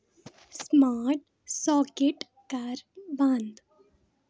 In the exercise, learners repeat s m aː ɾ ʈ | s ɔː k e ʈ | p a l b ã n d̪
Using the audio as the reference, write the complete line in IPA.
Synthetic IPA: s m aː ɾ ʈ | s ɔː k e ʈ | k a ɾ b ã n d̪